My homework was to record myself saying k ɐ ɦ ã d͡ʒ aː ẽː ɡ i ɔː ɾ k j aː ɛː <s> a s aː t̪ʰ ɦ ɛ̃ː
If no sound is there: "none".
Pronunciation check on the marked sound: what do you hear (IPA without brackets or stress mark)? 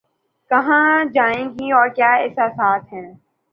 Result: s